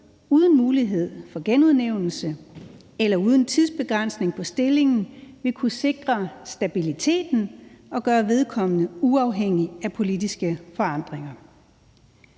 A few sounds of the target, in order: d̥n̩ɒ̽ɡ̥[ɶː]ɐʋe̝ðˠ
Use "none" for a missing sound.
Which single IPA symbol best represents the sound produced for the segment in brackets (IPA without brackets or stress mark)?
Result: ɶː